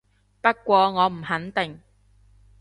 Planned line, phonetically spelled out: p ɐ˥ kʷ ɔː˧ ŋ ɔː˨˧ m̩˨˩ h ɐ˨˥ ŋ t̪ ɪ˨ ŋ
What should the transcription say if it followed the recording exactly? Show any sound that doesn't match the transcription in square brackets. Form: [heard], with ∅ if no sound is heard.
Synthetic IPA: p ɐ˥ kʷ ɔː˧ ŋ ɔː˨˧ m̩˨˩ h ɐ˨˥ [n] t̪ ɪ˨ ŋ